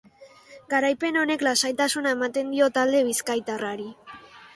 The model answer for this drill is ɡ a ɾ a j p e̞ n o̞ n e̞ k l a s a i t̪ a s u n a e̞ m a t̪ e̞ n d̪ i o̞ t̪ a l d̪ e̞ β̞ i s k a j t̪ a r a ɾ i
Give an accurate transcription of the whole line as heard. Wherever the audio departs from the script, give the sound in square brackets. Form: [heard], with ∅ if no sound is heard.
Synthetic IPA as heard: ɡ a ɾ a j p e̞ n o̞ n e̞ k l a s a [j] t̪ a s u n a e̞ m a t̪ e̞ n d̪ i o̞ t̪ a l d̪ e̞ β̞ i s k a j t̪ a r a ɾ i